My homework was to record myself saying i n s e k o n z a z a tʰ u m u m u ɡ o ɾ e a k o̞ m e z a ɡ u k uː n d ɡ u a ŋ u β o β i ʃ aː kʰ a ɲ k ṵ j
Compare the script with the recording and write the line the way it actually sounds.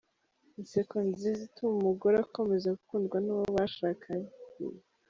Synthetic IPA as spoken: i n s e k o n z i z i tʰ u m u m u ɡ o ɾ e a k o̞ m e z a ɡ u k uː n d ɡ w a n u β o β a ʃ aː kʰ a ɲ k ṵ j